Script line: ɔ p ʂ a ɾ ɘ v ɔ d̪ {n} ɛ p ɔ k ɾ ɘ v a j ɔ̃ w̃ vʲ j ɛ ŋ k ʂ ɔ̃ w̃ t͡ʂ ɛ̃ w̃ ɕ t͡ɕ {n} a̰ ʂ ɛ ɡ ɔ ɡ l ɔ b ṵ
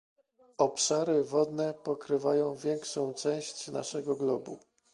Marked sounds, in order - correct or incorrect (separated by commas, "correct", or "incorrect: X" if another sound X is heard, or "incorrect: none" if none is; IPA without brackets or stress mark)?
correct, correct